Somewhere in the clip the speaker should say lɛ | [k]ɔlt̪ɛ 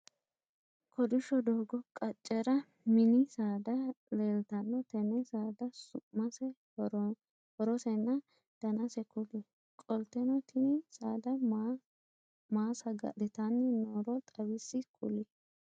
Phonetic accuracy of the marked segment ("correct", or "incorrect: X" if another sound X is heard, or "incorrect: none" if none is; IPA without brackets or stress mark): incorrect: kʼ